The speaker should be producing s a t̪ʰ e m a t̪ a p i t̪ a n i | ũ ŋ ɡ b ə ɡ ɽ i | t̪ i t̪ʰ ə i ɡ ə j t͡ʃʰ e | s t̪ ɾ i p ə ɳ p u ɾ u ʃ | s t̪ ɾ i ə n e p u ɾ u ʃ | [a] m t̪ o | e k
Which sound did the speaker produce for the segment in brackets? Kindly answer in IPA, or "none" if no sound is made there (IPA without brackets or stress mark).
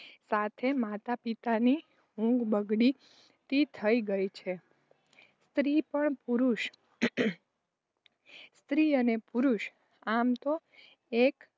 a